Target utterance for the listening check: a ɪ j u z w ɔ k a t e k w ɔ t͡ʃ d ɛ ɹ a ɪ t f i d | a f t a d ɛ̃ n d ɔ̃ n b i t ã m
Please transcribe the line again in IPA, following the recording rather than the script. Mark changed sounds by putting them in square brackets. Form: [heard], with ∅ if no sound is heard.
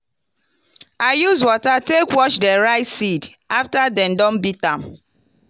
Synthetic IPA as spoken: a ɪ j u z w ɔ [t] a t e k w ɔ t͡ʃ d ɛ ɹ a ɪ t [s] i d | a f t a d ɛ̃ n d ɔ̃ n b i t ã m